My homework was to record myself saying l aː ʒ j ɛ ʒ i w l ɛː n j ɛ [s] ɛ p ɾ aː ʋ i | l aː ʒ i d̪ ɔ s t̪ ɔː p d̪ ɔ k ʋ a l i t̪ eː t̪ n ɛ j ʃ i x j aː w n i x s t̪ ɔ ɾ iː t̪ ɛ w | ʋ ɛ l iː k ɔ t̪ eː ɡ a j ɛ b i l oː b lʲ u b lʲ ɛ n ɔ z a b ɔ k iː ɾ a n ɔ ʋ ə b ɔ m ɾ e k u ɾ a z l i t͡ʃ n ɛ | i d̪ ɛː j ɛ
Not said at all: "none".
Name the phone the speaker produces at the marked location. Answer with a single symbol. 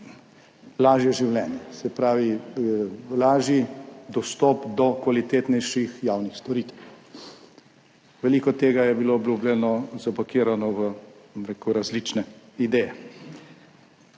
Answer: s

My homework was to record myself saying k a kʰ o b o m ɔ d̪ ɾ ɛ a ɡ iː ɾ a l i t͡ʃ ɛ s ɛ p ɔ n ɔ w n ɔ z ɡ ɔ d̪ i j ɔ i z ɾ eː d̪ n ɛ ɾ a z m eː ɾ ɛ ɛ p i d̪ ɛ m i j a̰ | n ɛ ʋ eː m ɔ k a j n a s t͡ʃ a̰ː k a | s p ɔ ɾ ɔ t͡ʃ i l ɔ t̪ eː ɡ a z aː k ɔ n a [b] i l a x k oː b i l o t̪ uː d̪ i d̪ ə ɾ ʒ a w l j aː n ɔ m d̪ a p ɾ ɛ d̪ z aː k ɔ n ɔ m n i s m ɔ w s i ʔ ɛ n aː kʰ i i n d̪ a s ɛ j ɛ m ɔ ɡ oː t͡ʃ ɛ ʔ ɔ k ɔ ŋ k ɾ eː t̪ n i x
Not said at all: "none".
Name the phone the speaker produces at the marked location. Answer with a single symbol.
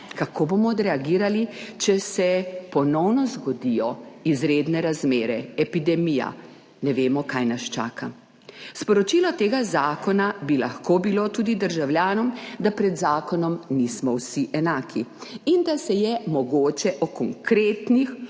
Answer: b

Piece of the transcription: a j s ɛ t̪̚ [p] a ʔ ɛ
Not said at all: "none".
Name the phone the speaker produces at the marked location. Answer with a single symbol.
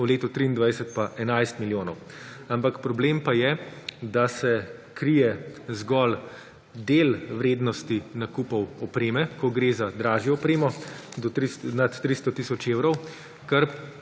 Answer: p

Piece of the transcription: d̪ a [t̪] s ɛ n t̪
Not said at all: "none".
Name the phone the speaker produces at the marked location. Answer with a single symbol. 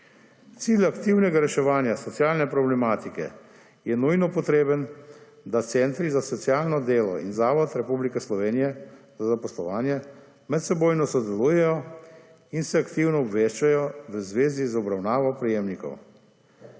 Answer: t̪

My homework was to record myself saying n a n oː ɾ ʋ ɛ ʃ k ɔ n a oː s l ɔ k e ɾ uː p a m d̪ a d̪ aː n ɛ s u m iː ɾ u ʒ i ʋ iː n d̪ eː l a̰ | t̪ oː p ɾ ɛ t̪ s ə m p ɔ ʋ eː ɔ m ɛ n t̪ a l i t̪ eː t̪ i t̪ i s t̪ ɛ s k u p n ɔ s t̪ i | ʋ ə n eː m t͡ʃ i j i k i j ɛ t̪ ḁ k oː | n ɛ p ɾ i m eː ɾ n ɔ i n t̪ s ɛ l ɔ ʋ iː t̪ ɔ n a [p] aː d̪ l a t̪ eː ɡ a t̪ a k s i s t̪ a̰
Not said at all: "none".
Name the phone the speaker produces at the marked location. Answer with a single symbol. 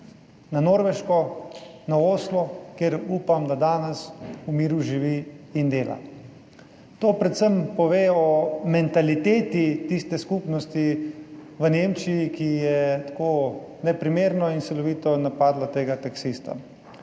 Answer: p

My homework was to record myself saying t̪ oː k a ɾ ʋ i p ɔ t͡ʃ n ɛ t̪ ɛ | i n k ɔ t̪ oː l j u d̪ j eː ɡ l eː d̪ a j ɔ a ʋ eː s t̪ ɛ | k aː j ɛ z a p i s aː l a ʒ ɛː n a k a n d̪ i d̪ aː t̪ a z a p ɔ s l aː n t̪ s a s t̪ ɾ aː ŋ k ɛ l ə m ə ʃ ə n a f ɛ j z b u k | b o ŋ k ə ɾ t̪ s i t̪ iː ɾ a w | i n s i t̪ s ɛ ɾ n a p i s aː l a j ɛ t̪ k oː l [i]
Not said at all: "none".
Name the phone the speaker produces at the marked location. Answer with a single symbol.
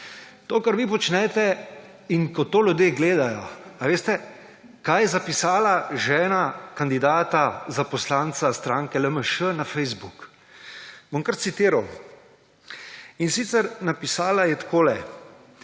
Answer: ɛ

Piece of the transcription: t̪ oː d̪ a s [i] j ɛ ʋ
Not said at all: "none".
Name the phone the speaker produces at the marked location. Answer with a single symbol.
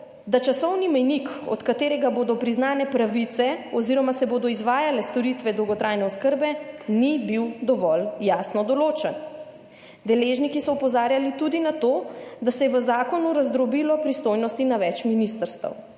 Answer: ɛ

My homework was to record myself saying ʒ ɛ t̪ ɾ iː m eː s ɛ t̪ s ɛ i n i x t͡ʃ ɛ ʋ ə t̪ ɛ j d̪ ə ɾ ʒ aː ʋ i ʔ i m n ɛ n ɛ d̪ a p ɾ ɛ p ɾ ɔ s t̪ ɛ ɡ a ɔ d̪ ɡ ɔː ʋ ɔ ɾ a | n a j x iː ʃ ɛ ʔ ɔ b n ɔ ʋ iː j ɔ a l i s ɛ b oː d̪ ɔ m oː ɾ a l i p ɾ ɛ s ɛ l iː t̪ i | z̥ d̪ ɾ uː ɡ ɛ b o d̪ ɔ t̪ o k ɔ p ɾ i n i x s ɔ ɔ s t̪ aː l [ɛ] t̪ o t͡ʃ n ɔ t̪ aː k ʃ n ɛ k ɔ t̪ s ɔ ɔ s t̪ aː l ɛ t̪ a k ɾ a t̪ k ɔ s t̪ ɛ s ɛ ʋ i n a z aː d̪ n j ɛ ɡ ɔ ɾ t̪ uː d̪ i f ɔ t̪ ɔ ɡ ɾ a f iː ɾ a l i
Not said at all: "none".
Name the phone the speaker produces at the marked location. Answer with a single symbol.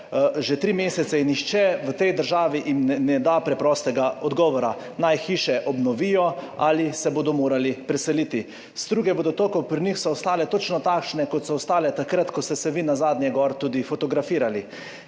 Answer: ɛ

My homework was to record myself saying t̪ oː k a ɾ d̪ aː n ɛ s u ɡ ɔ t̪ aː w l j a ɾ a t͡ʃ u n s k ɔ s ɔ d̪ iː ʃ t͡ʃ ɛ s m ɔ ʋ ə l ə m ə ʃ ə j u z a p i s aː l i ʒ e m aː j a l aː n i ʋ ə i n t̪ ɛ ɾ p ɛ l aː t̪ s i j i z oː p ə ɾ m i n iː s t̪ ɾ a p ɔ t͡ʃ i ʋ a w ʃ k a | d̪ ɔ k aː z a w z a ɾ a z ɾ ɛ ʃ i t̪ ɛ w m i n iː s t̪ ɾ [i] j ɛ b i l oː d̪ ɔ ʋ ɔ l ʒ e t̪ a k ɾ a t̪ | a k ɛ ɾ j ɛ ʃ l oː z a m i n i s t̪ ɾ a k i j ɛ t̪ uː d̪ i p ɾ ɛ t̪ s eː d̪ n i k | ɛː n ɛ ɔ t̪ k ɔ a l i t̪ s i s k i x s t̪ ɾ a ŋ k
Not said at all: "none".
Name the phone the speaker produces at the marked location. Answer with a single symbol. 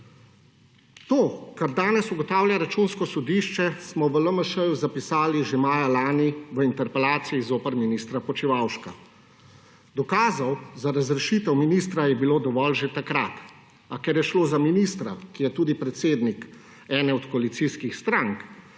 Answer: a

